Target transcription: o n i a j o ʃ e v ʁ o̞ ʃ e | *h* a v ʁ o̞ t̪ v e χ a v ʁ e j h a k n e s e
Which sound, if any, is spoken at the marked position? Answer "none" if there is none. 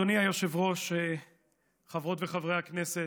χ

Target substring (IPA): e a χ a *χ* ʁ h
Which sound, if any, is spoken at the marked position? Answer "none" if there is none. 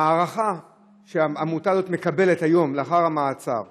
none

